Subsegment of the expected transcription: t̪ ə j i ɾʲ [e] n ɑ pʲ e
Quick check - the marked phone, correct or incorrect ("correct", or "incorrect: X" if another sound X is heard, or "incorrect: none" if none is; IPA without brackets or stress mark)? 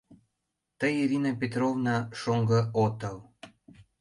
incorrect: i